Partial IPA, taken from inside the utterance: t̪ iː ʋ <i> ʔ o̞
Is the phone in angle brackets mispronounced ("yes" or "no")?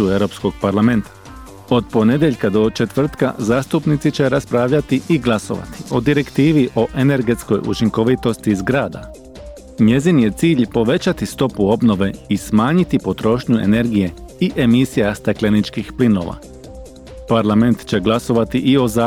no